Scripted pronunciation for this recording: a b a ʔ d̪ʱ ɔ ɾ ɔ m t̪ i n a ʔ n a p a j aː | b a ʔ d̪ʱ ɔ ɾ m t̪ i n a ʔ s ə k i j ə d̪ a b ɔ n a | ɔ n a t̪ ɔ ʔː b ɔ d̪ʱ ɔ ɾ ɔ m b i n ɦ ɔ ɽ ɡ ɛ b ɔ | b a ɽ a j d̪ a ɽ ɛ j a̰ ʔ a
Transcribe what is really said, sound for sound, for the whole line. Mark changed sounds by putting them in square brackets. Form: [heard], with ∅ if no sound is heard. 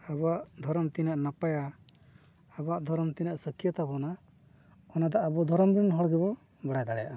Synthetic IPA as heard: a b a ʔ d̪ʱ ɔ ɾ ɔ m t̪ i n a ʔ n a p a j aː | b a ʔ d̪ʱ ɔ ɾ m t̪ i n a ʔ s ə k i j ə [t̪] a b ɔ n a | ɔ n a [d̪] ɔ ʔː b ɔ d̪ʱ ɔ ɾ ɔ m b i n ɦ ɔ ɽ ɡ ɛ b ɔ | b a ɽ a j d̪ a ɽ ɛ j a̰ ʔ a